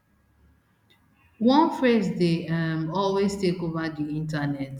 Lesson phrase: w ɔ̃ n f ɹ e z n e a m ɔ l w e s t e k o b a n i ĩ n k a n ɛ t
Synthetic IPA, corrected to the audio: w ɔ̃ n f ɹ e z d e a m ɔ l w e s t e k o v a d i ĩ n t a n ɛ t